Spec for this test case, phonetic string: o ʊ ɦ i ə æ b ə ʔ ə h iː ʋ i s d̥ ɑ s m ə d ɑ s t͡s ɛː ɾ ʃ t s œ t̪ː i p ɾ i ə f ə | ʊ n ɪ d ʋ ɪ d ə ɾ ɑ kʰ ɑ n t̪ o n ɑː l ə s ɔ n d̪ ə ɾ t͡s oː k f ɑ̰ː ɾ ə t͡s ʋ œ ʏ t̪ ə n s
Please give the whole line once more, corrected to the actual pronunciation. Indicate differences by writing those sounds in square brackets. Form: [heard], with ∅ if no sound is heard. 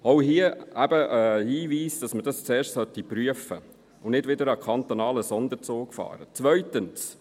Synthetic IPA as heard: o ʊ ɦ i ə æ b ə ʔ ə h iː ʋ [iː] s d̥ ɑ s m ə d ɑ s t͡s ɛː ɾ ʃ t s œ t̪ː i p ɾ [y] ə f ə | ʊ n ɪ d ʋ ɪ d ə ɾ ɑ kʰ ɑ n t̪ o n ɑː l ə s ɔ n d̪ ə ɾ t͡s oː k f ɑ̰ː ɾ ə t͡s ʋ œ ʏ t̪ ə n s